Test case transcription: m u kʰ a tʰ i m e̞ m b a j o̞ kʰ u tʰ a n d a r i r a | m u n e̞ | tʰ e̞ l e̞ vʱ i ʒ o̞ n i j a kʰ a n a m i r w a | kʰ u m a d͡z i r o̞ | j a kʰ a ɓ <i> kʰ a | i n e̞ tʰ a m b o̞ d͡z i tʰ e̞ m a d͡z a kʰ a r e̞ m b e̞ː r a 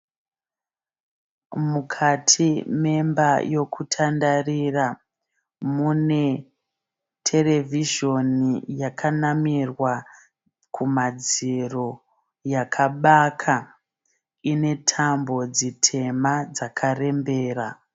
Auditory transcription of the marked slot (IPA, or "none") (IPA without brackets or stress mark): a